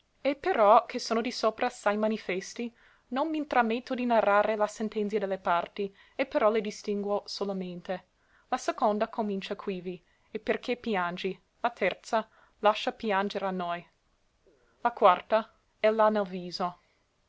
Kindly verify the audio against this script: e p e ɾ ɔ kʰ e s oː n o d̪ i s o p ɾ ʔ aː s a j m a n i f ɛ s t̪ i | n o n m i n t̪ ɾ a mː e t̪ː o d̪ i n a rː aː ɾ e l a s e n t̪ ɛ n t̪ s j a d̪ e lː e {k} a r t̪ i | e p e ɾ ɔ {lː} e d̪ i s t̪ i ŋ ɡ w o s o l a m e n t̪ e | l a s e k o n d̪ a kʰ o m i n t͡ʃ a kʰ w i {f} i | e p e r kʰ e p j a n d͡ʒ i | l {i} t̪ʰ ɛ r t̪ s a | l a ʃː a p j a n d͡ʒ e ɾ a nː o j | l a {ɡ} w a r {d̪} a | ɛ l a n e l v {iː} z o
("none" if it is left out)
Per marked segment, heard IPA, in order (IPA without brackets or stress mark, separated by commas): p, l, v, a, k, t̪, iː